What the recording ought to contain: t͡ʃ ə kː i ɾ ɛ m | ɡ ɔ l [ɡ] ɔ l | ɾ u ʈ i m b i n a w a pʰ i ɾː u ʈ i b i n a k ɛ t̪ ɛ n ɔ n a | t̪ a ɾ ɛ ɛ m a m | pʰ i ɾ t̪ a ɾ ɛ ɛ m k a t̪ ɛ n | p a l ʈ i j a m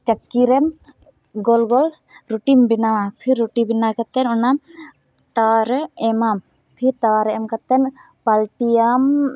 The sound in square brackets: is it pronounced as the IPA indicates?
yes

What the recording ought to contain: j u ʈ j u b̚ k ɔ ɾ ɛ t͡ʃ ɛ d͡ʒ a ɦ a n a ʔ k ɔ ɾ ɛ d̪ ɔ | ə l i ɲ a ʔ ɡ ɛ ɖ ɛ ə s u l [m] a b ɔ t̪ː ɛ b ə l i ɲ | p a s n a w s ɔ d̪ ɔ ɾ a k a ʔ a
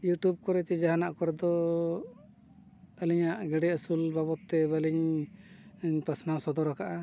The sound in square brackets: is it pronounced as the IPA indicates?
no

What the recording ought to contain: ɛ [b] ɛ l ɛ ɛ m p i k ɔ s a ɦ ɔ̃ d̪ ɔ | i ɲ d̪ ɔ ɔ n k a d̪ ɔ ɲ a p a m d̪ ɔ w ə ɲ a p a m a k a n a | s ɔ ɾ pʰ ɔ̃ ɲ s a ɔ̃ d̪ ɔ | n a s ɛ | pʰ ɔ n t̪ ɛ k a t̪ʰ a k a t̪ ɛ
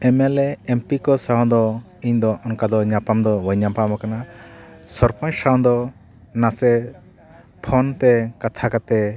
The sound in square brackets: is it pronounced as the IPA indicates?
no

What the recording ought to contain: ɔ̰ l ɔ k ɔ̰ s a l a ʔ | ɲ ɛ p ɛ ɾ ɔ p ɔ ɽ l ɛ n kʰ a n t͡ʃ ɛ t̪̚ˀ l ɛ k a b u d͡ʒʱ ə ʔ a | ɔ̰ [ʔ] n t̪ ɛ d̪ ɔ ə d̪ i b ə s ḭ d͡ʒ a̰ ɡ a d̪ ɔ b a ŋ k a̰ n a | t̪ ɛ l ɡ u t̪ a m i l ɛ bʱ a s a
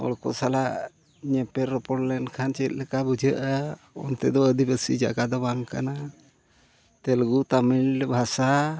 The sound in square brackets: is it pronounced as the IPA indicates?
no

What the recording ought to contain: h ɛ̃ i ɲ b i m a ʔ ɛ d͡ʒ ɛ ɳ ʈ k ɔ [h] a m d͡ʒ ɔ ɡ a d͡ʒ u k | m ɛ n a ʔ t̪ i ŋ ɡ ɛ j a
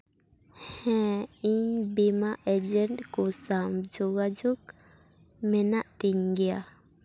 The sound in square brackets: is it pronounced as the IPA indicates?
no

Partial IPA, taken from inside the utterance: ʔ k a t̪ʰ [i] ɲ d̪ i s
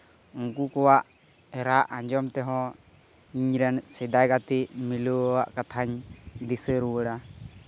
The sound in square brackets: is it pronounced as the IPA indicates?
no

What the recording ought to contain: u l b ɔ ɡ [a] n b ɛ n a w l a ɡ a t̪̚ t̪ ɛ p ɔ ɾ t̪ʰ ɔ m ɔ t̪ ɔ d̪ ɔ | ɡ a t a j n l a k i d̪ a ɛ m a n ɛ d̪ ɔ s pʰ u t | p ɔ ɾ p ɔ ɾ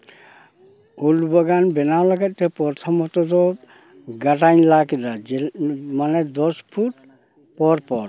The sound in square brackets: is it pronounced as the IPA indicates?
yes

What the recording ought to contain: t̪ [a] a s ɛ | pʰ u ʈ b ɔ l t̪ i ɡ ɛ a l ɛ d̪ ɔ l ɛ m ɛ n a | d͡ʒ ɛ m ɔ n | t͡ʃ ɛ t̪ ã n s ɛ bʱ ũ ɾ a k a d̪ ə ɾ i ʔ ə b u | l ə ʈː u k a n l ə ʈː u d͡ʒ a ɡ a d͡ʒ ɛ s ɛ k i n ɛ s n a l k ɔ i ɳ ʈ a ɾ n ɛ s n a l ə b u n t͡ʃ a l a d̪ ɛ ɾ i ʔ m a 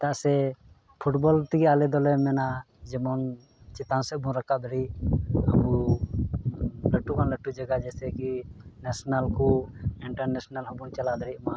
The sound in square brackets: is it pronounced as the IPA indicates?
yes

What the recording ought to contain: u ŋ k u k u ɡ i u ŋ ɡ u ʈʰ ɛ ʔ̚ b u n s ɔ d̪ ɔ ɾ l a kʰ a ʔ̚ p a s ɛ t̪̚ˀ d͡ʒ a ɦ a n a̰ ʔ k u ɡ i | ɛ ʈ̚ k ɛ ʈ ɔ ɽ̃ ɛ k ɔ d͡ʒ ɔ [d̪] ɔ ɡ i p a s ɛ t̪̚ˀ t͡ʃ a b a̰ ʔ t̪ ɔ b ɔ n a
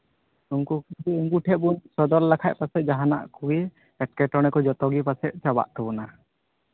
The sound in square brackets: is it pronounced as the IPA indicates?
no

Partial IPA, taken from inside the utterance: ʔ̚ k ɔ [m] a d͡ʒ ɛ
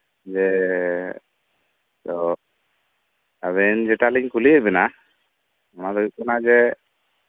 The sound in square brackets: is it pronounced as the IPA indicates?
no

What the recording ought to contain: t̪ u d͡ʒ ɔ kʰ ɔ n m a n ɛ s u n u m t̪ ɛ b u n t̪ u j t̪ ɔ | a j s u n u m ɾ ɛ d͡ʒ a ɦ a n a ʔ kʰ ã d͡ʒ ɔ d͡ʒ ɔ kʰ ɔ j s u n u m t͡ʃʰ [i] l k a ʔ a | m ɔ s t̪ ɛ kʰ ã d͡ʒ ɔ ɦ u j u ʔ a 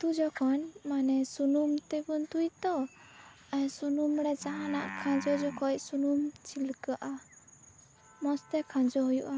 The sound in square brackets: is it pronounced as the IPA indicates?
yes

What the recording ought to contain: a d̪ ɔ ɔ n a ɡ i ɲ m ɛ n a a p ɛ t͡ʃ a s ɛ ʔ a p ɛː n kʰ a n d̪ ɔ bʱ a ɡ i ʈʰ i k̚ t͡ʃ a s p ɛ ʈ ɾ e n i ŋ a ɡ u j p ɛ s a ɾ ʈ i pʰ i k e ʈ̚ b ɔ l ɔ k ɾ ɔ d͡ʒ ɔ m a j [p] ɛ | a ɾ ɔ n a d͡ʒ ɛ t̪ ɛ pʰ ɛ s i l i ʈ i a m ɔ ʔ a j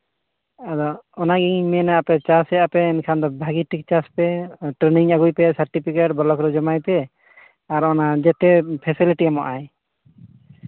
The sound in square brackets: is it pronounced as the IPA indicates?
yes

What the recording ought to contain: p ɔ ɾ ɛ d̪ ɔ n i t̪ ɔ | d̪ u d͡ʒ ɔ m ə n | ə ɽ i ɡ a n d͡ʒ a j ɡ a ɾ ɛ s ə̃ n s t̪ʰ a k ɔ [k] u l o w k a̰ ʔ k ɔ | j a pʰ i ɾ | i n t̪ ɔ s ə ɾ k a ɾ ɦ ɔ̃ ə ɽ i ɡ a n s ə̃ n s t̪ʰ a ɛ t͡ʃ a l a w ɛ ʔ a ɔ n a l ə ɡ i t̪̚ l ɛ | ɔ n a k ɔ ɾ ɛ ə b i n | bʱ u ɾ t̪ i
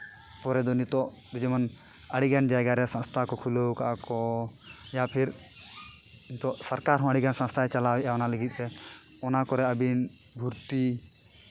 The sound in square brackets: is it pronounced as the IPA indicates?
no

